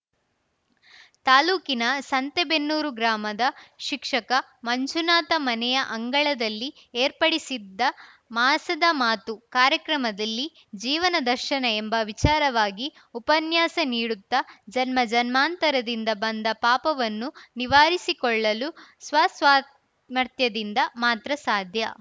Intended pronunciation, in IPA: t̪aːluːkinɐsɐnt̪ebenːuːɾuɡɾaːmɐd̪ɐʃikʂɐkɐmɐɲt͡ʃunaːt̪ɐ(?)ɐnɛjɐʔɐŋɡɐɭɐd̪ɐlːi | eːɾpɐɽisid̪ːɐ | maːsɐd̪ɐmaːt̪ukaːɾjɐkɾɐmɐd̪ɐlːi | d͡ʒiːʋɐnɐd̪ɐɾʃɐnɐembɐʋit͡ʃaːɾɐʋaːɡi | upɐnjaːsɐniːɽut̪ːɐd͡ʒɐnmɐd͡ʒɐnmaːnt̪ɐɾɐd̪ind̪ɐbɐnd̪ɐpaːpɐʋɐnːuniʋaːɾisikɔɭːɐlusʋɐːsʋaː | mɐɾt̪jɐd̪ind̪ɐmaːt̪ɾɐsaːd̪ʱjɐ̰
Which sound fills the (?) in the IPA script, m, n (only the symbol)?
m